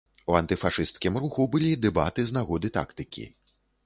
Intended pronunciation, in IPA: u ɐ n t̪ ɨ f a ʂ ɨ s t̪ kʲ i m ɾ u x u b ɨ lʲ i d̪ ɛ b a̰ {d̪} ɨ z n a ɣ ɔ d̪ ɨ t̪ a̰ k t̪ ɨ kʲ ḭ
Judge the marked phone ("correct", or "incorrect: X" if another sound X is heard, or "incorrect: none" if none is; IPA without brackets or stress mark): incorrect: t̪